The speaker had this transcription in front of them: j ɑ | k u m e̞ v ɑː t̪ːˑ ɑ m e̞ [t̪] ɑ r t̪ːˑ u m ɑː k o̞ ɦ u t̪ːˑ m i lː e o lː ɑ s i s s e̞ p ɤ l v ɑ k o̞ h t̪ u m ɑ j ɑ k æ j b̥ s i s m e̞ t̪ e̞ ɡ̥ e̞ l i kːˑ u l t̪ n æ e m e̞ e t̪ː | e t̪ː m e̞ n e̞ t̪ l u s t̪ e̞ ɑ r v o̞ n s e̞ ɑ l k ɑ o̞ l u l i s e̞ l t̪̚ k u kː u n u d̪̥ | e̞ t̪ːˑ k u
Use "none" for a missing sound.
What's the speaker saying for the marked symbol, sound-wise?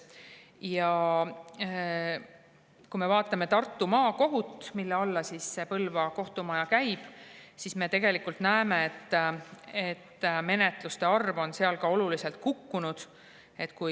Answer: t̪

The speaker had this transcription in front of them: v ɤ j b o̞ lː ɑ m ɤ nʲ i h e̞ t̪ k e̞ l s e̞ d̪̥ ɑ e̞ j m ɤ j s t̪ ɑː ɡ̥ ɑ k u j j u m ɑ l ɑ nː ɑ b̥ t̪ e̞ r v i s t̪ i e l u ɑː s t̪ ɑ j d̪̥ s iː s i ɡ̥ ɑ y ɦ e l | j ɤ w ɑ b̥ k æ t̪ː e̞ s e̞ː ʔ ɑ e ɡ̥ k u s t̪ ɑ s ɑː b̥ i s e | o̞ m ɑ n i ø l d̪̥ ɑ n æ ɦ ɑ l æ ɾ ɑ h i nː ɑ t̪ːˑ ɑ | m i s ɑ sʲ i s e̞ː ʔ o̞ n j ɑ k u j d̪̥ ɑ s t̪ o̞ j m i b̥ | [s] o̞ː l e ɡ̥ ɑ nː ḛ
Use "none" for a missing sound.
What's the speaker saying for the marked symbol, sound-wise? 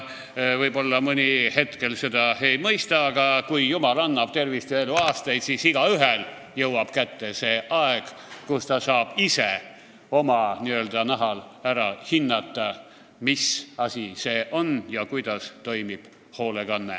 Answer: h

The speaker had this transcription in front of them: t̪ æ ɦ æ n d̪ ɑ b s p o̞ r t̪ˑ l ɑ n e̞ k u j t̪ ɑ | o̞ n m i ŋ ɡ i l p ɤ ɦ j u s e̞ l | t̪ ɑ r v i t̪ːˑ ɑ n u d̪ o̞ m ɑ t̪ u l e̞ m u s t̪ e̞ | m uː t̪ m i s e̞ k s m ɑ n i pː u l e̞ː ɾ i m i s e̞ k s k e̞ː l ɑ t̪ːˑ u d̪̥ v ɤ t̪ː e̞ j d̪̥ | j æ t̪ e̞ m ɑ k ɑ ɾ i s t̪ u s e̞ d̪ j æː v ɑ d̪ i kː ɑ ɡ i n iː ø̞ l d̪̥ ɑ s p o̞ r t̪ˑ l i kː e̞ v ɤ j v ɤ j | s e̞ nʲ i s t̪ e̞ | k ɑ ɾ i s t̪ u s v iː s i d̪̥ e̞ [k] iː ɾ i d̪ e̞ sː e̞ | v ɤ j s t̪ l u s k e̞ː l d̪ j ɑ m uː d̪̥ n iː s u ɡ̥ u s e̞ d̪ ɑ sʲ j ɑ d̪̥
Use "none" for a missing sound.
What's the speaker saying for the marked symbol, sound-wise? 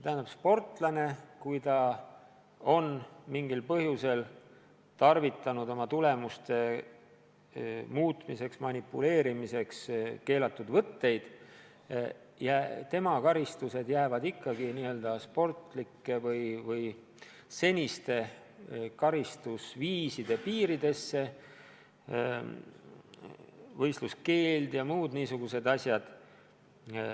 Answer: p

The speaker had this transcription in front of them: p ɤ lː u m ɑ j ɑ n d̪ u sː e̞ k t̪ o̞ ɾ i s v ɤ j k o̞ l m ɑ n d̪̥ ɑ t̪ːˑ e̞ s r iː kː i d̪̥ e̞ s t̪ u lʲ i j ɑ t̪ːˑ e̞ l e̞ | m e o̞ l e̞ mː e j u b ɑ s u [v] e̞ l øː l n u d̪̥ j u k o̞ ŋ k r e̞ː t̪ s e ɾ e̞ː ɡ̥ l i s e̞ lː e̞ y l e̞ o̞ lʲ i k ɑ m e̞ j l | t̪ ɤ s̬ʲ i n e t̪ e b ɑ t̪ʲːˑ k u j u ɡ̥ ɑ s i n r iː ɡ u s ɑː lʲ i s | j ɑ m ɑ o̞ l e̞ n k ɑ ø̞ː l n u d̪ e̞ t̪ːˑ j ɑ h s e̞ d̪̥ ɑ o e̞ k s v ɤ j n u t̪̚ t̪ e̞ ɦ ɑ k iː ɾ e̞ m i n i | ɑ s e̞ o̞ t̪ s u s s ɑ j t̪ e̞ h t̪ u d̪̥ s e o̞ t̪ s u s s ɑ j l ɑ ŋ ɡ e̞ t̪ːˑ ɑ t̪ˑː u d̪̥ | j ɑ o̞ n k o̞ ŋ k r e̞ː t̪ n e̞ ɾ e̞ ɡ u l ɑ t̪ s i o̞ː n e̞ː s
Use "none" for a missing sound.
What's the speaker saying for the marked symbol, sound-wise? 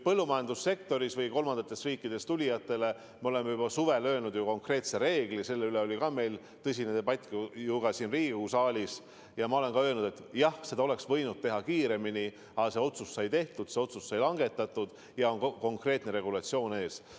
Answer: v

